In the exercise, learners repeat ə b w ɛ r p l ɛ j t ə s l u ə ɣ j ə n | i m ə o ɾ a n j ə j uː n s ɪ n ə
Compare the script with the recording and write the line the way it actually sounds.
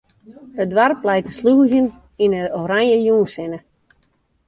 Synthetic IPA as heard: ə d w a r p l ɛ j t ə s l u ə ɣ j ə n | i n ə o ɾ a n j ə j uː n s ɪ n ə

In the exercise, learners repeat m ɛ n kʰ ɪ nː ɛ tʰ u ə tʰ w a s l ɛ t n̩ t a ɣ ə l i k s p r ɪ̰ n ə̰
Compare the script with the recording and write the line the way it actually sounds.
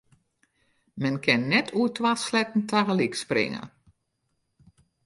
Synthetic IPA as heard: m ɛ n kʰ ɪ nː ɛ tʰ u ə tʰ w a s l ɛ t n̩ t a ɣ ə l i k s p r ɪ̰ ŋ ə̰

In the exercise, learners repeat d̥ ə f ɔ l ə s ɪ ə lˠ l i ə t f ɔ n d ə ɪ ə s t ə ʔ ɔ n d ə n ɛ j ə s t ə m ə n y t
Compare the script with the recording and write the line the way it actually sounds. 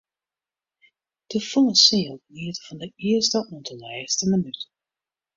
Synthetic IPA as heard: d̥ ə f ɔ l ə s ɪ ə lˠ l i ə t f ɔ n d ə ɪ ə s t ə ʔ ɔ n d ə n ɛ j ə s t ə m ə n y t

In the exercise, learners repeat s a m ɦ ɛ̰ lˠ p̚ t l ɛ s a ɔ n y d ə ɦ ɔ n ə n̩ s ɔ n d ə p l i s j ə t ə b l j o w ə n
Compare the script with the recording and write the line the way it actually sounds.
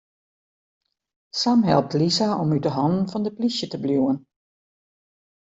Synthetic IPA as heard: s a m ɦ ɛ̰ lˠ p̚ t l i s a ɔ m y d ə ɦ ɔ n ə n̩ f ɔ n d ə p l i s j ə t ə b l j u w ə n

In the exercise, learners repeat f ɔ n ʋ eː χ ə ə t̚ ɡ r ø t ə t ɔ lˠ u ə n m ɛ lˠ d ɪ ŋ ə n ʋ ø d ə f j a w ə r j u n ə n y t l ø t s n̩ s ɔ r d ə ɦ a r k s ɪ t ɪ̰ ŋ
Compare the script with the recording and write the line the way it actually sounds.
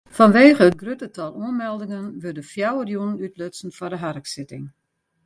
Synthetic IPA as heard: f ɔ n ʋ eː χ ə ə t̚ ɡ r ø t ə t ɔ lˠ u ə n m ɛ lˠ d ɪ ŋ ə n ʋ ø d ə f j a w ə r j u n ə n y t l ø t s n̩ f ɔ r d ə ɦ a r k s ɪ t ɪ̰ ŋ

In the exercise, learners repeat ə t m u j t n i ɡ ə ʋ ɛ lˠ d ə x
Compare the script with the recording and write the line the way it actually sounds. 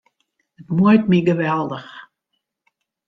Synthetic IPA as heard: ə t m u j t m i ɡ ə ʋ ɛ lˠ d ə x

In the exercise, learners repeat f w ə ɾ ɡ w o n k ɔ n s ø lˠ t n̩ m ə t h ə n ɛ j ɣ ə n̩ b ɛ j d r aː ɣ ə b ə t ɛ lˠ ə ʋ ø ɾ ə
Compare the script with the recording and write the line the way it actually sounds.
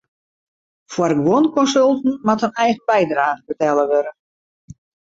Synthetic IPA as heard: f w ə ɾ ɡ w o n k ɔ n s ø lˠ t n̩ m a t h ə n ɛ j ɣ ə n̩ b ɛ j d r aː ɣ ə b ə t ɛ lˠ ə ʋ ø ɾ ə

